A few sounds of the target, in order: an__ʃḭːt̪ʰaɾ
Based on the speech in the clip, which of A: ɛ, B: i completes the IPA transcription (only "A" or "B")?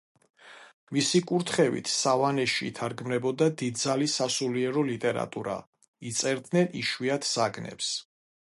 A